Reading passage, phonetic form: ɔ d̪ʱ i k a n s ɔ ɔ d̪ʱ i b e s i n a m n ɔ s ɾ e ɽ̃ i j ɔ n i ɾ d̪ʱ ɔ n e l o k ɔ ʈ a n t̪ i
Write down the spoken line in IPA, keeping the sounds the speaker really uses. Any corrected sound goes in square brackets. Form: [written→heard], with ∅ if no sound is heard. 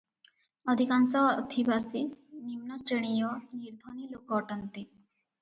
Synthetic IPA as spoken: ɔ d̪ʱ i k a n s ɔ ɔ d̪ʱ i b [e→a] s i n [a→i] m n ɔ s ɾ e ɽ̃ i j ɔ n i ɾ d̪ʱ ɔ n [e→i] l o k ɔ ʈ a n t̪ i